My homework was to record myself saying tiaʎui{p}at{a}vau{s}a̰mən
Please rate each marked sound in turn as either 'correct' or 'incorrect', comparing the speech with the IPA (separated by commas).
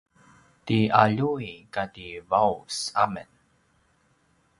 incorrect, incorrect, correct